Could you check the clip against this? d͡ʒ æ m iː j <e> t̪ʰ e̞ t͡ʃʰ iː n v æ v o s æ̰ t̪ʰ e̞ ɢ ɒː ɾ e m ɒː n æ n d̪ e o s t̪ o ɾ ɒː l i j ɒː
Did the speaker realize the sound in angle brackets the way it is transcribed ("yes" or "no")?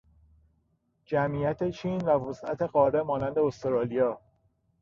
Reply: no